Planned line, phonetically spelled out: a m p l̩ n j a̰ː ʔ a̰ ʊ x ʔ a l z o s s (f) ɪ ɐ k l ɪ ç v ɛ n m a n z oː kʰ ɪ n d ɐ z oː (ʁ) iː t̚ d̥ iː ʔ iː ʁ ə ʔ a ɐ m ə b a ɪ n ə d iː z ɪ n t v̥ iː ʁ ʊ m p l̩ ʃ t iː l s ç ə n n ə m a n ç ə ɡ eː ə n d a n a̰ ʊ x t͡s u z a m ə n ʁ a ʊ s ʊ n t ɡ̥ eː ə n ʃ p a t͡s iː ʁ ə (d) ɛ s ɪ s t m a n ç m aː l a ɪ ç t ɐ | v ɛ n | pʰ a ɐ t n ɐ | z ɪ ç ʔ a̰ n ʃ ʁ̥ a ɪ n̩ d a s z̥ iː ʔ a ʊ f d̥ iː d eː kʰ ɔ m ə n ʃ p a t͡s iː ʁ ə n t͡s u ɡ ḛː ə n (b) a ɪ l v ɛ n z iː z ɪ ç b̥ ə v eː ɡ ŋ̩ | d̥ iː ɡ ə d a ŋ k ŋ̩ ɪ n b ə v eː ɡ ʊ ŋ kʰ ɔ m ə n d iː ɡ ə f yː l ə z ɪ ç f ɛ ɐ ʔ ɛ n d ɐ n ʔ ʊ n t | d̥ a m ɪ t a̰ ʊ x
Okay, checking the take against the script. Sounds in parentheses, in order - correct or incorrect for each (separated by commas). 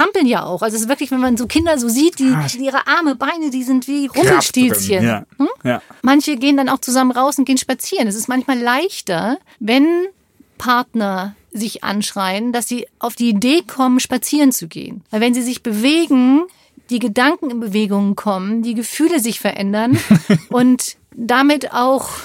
incorrect, incorrect, incorrect, incorrect